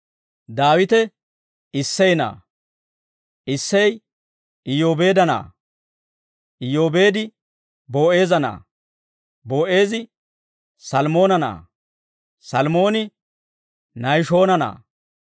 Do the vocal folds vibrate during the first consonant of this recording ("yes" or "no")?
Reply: yes